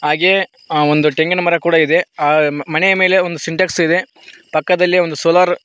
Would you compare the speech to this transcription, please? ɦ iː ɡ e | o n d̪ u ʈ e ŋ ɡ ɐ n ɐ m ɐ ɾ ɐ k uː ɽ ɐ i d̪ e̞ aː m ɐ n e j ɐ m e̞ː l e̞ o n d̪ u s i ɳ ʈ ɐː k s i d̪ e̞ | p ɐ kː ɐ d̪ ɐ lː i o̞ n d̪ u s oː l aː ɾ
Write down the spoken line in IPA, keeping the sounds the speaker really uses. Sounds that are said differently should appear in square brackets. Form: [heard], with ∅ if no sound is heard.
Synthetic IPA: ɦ [aː] ɡ e | o n d̪ u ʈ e ŋ ɡ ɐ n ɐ m ɐ ɾ ɐ k uː ɽ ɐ i d̪ e̞ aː m ɐ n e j ɐ m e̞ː l e̞ o n d̪ u s i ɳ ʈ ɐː k s i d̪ e̞ | p ɐ kː ɐ d̪ ɐ lː i o̞ n d̪ u s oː l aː ɾ